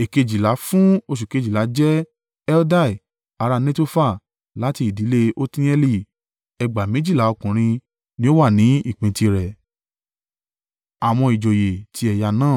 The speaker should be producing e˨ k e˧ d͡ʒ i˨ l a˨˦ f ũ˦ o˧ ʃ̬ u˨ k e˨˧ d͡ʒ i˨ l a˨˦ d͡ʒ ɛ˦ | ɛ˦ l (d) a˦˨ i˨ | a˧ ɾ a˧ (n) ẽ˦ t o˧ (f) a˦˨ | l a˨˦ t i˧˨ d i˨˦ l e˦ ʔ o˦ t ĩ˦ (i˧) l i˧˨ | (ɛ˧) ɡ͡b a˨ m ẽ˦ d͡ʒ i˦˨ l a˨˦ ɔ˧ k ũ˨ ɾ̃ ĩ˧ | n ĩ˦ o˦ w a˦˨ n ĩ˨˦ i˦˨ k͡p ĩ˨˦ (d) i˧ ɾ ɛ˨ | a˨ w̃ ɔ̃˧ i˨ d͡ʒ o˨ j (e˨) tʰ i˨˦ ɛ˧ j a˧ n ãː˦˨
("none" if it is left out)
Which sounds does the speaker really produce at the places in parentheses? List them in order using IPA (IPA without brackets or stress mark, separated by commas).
d, n, f, ɛ˧, ɛ˧, t, e˨